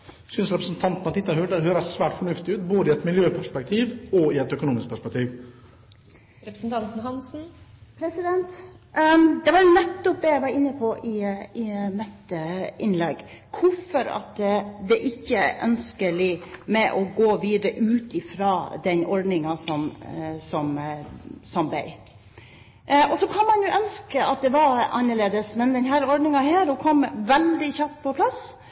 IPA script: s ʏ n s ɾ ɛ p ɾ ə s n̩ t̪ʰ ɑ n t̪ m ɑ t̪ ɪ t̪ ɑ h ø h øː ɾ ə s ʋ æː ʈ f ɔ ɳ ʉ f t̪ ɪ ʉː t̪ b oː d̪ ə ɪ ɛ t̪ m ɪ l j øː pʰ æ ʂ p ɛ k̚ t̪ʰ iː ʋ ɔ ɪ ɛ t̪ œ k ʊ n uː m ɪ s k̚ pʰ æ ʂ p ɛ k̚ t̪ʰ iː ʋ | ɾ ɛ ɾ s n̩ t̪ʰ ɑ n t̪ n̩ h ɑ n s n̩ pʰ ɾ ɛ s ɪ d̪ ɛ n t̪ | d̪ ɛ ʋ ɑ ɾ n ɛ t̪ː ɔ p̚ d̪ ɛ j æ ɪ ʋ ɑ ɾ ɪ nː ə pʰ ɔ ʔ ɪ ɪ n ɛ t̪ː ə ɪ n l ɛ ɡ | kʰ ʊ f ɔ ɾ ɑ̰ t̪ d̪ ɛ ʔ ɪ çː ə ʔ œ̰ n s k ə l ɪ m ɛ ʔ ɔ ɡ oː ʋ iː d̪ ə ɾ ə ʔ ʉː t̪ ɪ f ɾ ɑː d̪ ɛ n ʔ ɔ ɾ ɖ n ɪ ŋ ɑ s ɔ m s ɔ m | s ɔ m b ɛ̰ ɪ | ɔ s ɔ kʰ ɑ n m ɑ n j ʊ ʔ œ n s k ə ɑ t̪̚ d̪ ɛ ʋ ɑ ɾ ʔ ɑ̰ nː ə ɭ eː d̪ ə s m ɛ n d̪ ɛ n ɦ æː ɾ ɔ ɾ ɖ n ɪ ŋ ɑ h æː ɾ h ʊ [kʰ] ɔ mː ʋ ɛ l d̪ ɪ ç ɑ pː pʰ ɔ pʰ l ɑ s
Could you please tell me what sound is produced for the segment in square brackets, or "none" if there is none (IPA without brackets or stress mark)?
kʰ